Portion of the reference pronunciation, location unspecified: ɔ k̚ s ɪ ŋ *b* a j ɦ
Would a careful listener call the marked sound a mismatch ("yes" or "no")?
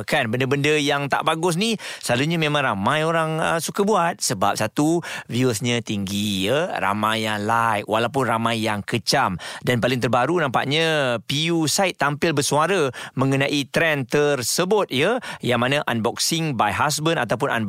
no